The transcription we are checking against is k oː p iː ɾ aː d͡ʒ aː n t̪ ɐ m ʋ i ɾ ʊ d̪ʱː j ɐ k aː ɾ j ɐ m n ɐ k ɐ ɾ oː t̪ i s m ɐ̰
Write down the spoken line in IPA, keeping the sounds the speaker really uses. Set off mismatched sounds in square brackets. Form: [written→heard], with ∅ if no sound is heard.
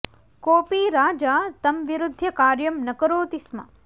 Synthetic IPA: k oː p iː ɾ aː d͡ʒ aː [n→∅] t̪ ɐ m ʋ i ɾ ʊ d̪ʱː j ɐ k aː ɾ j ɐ m n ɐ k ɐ ɾ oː t̪ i s m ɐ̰